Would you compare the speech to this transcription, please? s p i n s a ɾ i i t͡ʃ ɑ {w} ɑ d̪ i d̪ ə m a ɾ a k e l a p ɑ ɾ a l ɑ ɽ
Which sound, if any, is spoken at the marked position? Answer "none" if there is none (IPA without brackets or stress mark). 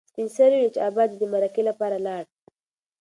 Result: b